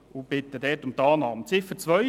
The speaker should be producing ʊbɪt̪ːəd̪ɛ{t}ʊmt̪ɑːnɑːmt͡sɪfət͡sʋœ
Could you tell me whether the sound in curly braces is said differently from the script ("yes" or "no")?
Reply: no